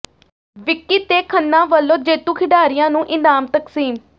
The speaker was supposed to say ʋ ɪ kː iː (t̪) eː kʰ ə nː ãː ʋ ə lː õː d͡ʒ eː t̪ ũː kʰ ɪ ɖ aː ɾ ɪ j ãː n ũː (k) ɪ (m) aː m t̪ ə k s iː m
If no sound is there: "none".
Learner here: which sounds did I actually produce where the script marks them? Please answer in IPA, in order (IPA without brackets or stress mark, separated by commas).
t̪, ʔ, n